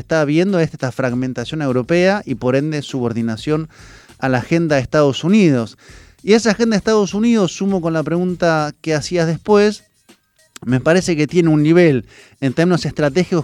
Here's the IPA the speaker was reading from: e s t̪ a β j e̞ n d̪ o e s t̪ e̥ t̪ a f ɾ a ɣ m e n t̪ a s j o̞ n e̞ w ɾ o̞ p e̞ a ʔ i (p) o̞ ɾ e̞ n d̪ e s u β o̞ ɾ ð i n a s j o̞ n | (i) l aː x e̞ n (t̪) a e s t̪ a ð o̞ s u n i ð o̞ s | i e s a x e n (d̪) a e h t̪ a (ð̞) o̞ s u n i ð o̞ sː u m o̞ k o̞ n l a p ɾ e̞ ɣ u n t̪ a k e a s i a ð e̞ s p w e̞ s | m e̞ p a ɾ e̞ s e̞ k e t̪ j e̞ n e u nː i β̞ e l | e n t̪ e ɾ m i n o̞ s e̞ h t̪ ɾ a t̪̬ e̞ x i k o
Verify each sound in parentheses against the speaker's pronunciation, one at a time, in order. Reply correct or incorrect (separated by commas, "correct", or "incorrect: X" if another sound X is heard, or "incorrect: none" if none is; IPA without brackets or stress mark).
correct, incorrect: a, incorrect: d̪, correct, correct